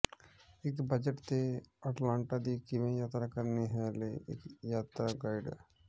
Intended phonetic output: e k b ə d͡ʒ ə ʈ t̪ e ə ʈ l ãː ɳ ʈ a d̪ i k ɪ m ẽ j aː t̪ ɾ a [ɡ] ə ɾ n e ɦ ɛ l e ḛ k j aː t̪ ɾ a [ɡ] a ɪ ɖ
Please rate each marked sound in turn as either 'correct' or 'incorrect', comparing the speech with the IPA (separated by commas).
incorrect, correct